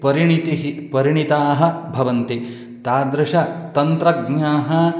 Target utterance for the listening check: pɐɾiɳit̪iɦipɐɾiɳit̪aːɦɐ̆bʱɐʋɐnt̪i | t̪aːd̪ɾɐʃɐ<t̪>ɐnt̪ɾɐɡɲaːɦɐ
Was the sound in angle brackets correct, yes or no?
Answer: yes